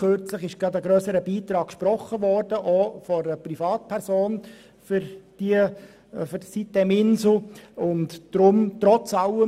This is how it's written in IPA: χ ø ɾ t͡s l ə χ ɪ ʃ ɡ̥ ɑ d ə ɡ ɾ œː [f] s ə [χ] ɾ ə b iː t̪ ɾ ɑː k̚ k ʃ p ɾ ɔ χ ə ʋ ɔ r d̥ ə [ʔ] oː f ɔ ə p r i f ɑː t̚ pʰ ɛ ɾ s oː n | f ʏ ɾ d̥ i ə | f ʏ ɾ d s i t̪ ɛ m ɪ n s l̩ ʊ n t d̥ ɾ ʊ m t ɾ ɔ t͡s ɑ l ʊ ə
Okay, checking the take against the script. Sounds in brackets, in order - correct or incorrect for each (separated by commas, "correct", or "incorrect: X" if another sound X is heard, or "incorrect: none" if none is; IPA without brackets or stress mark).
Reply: incorrect: none, incorrect: none, correct